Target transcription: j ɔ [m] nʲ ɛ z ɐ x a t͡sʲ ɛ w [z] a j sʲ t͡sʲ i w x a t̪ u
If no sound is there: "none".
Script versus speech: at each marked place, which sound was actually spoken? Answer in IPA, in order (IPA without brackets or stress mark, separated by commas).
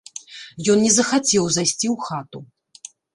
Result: n, z